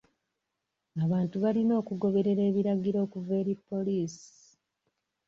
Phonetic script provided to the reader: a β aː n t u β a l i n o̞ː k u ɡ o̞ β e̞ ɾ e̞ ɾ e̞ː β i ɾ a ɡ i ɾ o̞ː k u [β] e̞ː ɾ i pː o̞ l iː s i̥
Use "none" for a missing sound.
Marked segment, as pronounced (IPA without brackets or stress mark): v